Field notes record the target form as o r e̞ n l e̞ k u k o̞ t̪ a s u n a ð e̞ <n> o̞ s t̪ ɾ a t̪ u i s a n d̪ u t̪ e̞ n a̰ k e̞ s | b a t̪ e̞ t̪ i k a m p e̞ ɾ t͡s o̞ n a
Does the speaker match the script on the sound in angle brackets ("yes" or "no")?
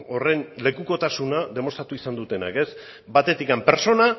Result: no